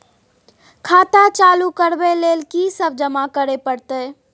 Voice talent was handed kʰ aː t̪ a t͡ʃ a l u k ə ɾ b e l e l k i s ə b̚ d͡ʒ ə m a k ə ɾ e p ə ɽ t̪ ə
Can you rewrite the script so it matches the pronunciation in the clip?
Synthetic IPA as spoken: kʰ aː t̪ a t͡ʃ a l u k ə ɾ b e l e l k i s ə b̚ d͡ʒ ə m a k ə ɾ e p ə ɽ t̪ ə